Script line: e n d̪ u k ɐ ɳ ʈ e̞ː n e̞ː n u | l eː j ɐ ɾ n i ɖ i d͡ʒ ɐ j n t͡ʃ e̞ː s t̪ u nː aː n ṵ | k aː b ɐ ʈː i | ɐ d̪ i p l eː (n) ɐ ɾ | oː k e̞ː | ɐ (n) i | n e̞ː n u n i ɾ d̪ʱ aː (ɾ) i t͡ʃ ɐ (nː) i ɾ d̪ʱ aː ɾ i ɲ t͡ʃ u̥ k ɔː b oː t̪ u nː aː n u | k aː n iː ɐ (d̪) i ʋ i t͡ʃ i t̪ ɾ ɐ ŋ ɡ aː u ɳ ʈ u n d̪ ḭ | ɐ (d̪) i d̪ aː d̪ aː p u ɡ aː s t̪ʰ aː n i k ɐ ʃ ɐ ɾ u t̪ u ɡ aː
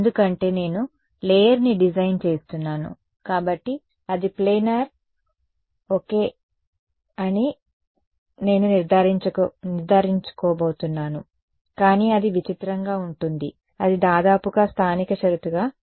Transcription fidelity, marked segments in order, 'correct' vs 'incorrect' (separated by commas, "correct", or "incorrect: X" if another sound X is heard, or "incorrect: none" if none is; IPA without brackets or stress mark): correct, correct, correct, incorrect: n, correct, correct